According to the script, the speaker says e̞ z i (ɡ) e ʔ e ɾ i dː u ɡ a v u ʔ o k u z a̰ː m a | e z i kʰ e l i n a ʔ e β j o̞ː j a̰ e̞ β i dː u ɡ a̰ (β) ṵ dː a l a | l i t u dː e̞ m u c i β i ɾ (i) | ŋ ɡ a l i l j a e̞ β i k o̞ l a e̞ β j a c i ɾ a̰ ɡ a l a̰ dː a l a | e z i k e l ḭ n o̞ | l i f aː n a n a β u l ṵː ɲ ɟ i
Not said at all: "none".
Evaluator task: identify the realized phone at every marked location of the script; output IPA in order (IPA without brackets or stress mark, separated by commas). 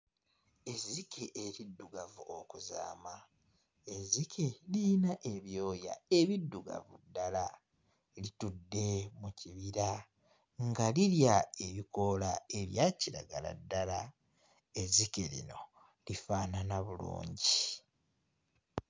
k, v, a